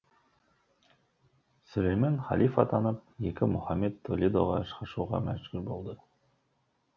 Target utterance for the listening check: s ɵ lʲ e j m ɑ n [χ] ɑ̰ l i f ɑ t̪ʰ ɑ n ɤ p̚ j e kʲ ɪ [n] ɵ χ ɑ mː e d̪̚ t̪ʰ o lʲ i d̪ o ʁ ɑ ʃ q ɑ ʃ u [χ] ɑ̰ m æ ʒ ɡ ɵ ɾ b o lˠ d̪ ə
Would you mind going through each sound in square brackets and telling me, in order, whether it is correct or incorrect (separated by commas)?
correct, incorrect, incorrect